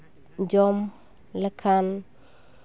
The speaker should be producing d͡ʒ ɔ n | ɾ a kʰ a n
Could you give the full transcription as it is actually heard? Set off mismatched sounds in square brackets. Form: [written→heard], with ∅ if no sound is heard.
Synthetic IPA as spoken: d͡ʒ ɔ [n→m] | [ɾ→l] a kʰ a n